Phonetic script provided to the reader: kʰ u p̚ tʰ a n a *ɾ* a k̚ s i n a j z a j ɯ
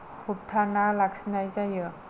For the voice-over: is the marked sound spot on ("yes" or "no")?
no